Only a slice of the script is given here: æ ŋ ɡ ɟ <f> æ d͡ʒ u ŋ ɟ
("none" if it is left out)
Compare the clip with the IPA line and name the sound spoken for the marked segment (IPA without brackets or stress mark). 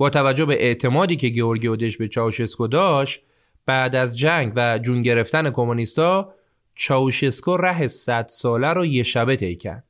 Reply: v